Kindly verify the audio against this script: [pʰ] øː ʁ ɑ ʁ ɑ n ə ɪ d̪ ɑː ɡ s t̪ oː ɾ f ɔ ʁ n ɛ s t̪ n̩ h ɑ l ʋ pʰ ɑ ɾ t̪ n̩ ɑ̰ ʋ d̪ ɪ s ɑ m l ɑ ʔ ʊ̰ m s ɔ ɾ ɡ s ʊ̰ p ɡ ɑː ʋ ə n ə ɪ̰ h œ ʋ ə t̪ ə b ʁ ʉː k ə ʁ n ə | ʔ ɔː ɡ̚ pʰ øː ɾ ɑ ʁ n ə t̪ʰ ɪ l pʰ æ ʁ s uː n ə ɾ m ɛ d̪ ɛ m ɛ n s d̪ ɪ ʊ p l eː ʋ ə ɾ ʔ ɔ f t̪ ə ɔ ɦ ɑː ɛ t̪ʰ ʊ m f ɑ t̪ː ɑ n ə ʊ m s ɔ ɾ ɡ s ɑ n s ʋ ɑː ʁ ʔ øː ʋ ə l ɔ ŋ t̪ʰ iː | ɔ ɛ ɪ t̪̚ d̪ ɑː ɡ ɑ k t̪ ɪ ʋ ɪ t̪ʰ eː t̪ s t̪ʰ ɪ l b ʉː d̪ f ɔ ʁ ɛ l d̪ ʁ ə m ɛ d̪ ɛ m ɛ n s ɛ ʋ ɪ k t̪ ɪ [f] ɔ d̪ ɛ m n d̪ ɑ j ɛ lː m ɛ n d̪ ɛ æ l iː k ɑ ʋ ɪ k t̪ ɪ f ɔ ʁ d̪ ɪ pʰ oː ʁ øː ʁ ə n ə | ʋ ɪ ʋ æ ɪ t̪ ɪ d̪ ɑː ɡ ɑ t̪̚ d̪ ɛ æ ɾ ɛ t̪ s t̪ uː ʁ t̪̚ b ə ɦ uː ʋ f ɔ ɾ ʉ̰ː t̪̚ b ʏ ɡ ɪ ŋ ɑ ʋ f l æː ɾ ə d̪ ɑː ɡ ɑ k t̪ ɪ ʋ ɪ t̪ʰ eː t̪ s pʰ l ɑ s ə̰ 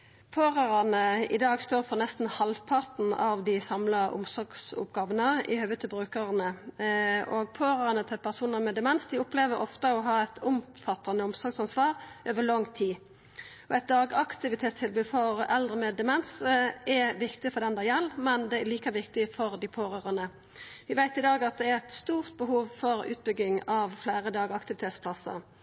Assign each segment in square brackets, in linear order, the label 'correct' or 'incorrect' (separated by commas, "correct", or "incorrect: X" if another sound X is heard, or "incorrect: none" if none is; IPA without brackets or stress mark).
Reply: correct, correct